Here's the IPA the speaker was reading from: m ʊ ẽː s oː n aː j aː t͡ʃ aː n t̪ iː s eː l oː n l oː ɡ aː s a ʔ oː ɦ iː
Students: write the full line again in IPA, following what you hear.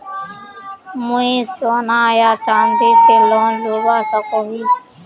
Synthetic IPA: m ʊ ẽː s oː n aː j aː t͡ʃ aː n d̪ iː s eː l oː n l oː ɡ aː s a k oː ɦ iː